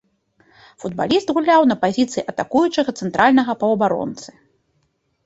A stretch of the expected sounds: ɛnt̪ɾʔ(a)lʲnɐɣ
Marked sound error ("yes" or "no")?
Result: no